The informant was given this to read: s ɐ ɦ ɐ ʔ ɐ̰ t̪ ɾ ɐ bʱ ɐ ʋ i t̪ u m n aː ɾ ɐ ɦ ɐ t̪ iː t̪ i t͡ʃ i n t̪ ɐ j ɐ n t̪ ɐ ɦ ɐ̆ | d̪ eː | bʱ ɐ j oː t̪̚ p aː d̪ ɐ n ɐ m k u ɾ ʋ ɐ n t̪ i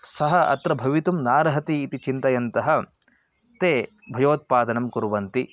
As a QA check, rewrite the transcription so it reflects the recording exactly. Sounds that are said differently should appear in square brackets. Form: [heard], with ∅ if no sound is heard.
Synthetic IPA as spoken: s ɐ ɦ ɐ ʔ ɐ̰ t̪ ɾ ɐ bʱ ɐ ʋ i t̪ u m n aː ɾ ɐ ɦ ɐ t̪ iː t̪ i t͡ʃ i n t̪ ɐ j ɐ n t̪ ɐ ɦ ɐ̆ | [t̪] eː | bʱ ɐ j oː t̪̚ p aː d̪ ɐ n ɐ m k u ɾ ʋ ɐ n t̪ i